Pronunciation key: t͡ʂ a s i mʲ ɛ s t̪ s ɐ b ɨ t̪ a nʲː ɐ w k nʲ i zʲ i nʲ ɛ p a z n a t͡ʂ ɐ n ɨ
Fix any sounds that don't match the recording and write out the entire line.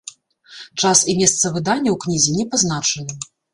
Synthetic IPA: t͡ʂ a s i mʲ ɛ s t̪ s ɐ v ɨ d̪ a nʲː ɐ w k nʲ i zʲ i nʲ ɛ p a z n a t͡ʂ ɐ n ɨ